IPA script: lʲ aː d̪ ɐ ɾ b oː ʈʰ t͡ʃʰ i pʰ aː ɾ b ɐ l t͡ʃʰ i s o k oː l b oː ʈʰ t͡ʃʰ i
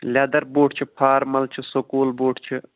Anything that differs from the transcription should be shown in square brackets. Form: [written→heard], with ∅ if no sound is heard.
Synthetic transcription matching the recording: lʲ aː d̪ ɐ ɾ b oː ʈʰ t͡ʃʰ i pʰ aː ɾ [b→m] ɐ l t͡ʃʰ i s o k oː l b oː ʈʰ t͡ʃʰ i